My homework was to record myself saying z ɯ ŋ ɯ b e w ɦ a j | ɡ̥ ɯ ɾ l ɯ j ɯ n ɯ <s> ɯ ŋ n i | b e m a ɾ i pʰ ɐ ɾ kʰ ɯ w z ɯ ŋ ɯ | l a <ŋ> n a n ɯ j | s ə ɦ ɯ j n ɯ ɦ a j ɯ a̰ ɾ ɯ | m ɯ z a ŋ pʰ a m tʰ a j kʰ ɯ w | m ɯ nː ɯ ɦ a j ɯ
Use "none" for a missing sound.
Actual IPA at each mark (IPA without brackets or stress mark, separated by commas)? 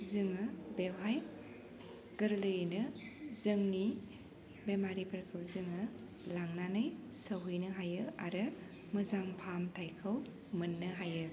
z, ŋ